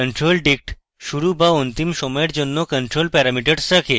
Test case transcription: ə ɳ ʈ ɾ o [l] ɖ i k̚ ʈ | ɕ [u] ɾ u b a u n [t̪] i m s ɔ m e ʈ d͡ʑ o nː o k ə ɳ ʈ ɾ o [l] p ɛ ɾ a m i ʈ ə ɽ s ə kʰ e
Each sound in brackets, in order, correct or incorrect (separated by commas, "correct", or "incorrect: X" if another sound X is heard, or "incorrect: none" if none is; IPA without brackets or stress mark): correct, correct, correct, correct